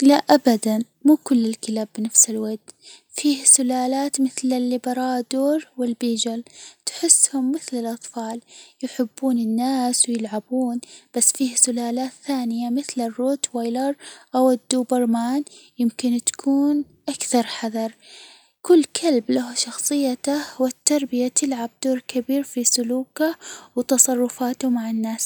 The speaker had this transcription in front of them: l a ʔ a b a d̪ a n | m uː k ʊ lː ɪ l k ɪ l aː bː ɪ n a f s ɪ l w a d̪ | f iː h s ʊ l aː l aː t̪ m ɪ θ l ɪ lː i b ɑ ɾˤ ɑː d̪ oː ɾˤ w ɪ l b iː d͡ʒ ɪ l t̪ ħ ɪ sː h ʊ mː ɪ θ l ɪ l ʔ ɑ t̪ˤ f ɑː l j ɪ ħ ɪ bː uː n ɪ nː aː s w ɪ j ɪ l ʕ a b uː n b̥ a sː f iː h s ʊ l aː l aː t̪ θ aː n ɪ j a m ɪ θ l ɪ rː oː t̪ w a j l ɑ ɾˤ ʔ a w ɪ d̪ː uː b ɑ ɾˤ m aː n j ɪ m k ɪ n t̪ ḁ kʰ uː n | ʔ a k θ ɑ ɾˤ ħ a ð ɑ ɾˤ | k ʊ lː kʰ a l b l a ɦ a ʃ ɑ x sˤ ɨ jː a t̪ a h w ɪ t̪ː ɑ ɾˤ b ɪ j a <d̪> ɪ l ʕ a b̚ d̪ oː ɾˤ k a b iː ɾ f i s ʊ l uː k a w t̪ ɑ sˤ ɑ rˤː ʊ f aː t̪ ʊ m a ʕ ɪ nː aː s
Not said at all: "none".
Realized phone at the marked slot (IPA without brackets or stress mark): t̪